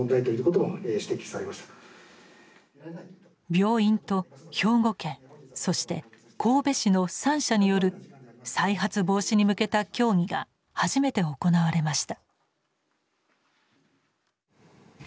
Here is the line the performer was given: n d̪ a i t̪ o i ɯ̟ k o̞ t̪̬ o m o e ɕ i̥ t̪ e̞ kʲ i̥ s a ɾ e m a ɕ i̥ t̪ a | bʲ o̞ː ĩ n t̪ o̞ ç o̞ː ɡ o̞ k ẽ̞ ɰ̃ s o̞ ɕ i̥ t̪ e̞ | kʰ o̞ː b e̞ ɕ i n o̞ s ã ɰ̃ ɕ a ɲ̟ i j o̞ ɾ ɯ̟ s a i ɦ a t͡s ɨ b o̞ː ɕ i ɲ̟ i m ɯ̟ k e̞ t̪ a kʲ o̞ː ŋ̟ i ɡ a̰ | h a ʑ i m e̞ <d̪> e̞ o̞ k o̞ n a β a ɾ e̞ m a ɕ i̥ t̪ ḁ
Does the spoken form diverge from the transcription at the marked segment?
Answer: yes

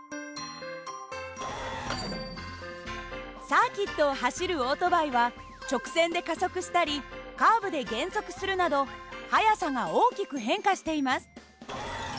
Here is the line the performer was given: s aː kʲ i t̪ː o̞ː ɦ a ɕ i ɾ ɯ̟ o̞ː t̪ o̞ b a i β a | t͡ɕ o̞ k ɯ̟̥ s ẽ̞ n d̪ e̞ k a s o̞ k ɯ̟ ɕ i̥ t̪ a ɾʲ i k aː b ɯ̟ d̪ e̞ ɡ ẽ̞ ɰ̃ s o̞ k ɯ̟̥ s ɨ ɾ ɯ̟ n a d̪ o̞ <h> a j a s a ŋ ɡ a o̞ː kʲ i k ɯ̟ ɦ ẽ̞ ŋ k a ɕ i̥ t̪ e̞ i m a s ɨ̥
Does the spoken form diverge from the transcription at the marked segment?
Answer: no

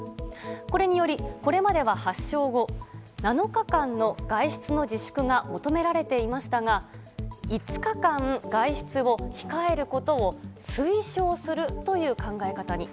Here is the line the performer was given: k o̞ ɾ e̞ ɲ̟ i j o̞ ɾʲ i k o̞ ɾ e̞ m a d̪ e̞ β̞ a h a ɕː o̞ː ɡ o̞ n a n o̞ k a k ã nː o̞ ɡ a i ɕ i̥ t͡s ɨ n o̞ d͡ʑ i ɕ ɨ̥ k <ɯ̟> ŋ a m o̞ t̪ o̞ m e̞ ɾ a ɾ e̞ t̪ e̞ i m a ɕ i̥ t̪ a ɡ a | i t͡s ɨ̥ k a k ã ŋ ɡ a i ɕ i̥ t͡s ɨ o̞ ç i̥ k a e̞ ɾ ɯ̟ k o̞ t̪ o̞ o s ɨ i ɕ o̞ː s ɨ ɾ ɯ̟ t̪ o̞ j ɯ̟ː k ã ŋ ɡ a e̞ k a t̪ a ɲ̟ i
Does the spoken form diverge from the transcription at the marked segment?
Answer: no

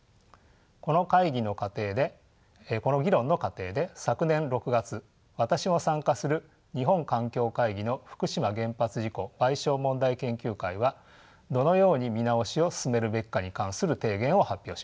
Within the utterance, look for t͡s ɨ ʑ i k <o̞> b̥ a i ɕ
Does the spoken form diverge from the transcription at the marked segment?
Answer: no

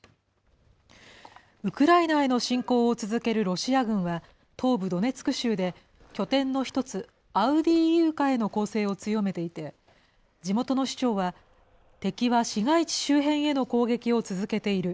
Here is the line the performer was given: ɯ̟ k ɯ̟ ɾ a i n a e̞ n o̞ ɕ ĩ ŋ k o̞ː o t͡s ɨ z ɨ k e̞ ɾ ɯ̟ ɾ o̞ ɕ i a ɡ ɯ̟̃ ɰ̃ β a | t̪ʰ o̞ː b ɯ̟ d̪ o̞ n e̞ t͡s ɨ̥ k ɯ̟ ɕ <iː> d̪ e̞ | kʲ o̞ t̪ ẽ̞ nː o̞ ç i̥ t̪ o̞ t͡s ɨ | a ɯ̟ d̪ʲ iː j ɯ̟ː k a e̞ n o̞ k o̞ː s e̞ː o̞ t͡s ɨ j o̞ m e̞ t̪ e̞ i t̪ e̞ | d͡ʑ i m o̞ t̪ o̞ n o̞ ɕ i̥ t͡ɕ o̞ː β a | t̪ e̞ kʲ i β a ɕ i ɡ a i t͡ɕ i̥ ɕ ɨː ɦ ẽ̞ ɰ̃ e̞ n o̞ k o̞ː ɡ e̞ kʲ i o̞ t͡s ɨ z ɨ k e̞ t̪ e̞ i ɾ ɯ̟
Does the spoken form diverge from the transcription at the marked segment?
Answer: yes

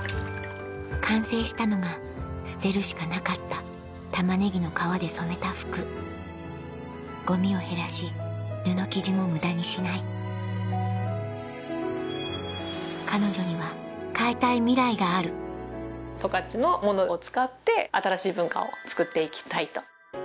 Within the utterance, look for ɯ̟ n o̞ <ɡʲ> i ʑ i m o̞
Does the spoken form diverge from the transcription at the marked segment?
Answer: yes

